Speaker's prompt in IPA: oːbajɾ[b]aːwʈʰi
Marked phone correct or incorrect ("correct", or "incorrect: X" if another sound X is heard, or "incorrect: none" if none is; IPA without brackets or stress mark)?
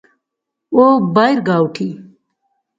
incorrect: ɡ